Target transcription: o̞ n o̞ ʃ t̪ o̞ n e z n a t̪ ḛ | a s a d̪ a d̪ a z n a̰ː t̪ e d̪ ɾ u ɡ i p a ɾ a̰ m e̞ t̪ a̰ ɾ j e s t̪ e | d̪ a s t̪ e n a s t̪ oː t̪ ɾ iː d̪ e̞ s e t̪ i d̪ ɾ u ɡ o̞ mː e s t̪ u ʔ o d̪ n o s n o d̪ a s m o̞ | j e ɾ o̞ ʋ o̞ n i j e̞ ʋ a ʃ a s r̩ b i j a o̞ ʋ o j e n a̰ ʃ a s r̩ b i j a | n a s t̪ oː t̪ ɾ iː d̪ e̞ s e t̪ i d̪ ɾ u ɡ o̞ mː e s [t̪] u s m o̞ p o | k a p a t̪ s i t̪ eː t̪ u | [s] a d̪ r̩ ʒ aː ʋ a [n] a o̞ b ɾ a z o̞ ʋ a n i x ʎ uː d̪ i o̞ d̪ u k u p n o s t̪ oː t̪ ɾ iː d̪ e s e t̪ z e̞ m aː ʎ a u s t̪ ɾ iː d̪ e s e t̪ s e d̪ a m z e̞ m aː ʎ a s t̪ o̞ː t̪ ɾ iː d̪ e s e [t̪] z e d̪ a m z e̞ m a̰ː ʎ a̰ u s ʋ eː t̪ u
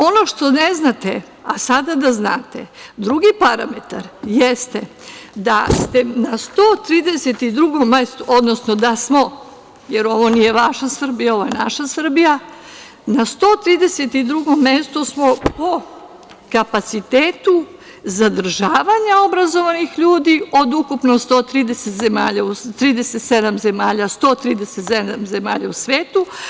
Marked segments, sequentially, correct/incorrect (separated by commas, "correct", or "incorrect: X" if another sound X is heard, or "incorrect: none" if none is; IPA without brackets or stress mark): correct, incorrect: z, incorrect: ɲ, correct